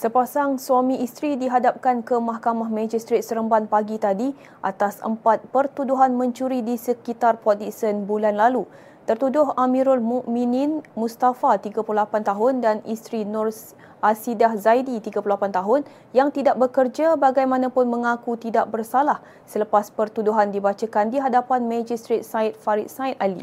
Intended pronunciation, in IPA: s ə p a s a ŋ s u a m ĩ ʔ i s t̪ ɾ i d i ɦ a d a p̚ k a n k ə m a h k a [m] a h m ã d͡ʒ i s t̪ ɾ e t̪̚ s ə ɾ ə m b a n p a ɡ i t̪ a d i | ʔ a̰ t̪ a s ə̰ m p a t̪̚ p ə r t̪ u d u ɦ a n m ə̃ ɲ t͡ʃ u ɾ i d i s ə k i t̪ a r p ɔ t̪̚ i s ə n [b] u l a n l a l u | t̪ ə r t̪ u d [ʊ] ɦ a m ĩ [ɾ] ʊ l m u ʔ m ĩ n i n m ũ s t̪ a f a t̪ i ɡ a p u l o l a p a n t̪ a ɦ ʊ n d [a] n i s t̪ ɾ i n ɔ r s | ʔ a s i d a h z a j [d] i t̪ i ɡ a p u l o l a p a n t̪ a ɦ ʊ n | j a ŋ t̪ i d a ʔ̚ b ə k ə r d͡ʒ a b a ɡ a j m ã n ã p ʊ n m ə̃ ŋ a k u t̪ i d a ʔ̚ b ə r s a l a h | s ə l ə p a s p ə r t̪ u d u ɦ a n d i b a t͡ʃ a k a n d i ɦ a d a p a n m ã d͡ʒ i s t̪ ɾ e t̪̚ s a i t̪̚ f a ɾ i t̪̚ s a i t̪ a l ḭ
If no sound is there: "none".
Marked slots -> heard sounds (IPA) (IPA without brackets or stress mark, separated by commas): m, b, ʊ, ɾ, a, d